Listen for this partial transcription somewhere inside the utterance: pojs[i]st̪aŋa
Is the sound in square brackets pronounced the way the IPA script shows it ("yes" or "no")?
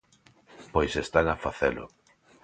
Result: no